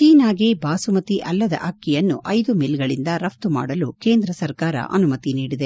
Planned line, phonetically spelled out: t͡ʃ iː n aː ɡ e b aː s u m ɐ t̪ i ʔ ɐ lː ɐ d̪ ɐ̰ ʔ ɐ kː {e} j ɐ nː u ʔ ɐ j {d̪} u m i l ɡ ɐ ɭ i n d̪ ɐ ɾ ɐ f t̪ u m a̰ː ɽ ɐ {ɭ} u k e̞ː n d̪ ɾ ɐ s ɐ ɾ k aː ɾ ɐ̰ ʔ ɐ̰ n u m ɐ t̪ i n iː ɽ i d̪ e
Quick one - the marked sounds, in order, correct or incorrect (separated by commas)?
incorrect, correct, incorrect